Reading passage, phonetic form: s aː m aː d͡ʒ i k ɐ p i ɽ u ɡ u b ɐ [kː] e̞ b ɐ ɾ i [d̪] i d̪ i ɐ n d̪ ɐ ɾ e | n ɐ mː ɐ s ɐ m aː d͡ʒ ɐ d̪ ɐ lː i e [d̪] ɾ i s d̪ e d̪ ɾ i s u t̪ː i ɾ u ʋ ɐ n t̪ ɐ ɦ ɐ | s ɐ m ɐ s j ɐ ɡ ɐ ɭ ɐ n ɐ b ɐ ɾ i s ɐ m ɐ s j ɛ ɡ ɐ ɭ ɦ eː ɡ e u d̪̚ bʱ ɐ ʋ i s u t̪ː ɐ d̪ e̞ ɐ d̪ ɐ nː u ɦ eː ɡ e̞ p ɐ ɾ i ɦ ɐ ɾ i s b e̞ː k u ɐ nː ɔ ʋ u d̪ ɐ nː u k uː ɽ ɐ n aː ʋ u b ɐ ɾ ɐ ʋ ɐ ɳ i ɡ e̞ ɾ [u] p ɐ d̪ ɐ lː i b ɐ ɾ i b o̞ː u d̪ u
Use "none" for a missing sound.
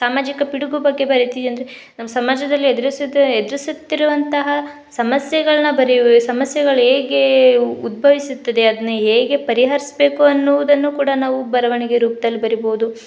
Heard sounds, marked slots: ɡː, t̪, d̪, uː

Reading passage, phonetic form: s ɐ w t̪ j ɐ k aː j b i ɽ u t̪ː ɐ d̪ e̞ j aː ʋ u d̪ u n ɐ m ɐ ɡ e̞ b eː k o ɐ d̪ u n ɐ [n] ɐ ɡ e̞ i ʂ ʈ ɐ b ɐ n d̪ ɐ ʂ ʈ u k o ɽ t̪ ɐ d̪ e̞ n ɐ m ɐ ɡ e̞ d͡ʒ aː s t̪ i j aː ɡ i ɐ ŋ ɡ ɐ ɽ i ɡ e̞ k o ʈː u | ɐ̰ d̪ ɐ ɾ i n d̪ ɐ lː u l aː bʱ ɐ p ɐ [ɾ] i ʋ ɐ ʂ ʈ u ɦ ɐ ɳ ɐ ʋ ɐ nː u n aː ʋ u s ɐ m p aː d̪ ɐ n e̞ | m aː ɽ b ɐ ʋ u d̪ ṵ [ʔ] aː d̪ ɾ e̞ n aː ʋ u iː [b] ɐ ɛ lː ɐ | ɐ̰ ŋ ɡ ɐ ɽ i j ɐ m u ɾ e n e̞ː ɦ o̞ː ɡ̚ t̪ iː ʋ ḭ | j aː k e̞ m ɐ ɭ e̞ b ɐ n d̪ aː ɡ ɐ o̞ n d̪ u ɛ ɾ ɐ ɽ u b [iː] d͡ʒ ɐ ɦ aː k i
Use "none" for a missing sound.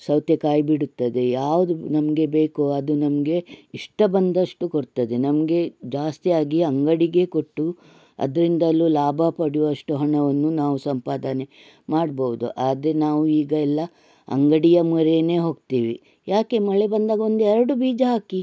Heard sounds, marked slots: m, ɽ, ʔ, ɡ, iː

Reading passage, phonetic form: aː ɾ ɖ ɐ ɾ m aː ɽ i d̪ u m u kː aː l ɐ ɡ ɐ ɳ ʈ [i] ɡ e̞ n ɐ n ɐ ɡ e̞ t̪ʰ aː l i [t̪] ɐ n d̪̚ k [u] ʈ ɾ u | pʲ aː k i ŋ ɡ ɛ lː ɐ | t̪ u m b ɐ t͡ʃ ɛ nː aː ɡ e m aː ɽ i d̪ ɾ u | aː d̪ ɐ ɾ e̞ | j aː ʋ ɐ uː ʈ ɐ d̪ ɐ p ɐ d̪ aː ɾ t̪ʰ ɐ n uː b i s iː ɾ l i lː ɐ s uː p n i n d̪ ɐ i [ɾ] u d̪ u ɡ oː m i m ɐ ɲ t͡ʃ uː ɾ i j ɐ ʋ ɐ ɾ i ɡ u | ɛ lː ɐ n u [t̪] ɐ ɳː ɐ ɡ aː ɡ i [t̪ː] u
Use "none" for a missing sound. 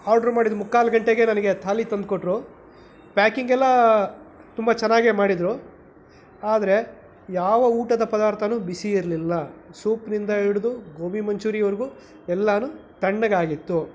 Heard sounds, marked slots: e, t̪, o, ɽ, t̪, t̪ː

